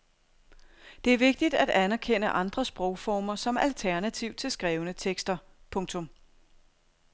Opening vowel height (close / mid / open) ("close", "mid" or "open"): mid